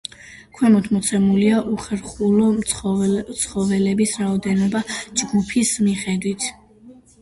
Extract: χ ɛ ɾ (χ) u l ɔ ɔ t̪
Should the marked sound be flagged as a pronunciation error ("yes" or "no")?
no